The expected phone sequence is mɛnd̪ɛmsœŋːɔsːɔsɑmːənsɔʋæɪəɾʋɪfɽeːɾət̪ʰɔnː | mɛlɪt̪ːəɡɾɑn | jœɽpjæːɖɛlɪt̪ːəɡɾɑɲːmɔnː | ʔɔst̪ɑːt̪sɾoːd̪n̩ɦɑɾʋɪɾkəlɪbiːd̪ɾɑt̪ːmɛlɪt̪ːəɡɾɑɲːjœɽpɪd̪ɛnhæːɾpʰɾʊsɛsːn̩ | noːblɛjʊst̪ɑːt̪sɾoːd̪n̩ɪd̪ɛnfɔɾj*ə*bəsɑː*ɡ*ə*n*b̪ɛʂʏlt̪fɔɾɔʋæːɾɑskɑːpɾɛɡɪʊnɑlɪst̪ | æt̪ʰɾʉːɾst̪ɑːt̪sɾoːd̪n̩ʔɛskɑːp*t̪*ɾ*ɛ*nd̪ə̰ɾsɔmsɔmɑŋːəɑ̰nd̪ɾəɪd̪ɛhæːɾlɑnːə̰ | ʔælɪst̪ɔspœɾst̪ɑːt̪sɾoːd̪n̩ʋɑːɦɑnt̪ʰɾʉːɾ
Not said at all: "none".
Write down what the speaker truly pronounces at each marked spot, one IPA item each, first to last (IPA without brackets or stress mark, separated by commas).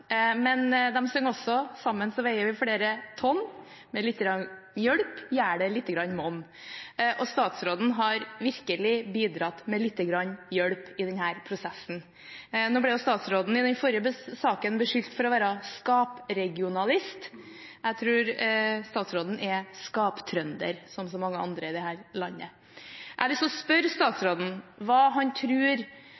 ə, k, n, t̪ʰ, œ